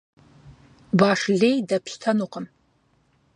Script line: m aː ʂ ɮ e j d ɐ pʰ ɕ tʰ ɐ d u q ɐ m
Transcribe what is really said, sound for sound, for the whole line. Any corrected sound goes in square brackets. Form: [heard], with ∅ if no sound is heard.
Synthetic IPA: [b] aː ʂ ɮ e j d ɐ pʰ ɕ tʰ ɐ [n] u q [ə] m